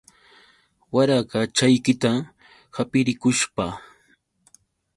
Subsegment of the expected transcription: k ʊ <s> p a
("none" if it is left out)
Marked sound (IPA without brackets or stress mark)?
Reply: ʃ